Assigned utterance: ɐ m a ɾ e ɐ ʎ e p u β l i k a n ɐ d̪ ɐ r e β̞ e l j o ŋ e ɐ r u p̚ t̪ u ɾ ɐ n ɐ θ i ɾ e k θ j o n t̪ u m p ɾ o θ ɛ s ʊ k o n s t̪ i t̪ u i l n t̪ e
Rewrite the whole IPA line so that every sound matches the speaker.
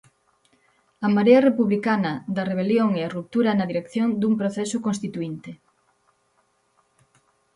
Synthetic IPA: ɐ m a ɾ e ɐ r e p u β l i k a n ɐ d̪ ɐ r e β̞ e l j o ŋ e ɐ r u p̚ t̪ u ɾ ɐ n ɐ ð i ɾ e k θ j o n d̪ u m p ɾ o θ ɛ s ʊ k o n s t̪ i t̪ u i n t̪ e